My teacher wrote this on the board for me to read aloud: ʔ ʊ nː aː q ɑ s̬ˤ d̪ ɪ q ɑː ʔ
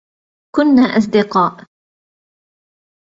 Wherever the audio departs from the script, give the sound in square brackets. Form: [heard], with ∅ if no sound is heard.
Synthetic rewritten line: [k] ʊ nː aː [ʔ] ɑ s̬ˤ d̪ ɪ q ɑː ʔ